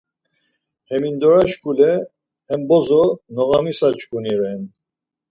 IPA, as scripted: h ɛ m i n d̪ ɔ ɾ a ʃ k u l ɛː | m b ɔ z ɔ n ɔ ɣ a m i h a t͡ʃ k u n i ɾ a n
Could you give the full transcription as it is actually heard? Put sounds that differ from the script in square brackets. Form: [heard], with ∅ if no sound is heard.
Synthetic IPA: h ɛ m i n d̪ ɔ ɾ a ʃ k u l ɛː | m b ɔ z ɔ n ɔ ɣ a m i [s] a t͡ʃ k u n i ɾ [ɛ] n